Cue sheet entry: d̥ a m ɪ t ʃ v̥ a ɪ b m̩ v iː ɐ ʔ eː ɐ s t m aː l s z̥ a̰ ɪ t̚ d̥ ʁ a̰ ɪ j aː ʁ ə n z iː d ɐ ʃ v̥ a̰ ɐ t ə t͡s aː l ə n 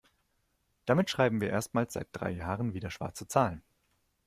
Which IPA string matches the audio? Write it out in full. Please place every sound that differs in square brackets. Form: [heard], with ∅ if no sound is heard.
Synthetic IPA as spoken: d̥ a m ɪ t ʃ [ʁ̥] a ɪ b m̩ v iː ɐ ʔ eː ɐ s t m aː l s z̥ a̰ ɪ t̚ d̥ ʁ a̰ ɪ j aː ʁ ə n [v] iː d ɐ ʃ v̥ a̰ ɐ [t͡s] ə t͡s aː l ə n